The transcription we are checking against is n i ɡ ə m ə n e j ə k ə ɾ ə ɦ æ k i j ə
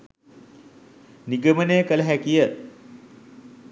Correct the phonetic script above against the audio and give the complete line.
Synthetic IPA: n i ɡ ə m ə n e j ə k ə l ə ɦ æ k i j ə